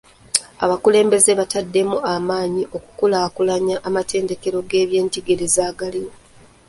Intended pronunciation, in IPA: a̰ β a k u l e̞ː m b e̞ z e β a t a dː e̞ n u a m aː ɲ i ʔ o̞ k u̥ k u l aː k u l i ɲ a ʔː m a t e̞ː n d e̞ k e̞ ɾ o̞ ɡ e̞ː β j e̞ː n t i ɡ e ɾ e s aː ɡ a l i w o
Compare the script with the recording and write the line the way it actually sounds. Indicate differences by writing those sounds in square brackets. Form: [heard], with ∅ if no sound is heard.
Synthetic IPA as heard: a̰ β a k u l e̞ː m b e̞ z e β a t a dː e̞ [m] u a m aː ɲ i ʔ o̞ k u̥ k u l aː k u l [a] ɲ a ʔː m a t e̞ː n d e̞ k e̞ ɾ o̞ ɡ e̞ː β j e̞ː n t i ɡ e ɾ e [z] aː ɡ a l i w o